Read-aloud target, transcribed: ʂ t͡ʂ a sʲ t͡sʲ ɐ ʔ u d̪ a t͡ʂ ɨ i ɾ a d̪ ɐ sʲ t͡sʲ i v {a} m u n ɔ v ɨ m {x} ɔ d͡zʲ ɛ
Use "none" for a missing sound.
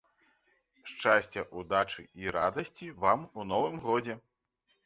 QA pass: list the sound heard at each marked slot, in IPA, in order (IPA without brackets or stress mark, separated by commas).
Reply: a, ɣ